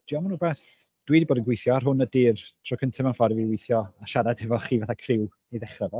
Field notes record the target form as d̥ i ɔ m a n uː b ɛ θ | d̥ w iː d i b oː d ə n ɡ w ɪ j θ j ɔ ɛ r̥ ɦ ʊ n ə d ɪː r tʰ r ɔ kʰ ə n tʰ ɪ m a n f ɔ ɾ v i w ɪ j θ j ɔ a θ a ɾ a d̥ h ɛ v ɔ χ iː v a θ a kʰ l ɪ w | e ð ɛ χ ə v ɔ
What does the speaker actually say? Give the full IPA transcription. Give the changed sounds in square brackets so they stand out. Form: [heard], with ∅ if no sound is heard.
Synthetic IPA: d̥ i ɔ m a n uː b ɛ θ | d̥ w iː d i b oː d ə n ɡ w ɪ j θ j ɔ [a] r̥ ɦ ʊ n ə d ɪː r tʰ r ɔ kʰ ə n tʰ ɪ m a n f ɔ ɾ v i w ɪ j θ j ɔ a [ʃ] a ɾ a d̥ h ɛ v ɔ χ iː v a θ a kʰ [r] ɪ w | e ð ɛ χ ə v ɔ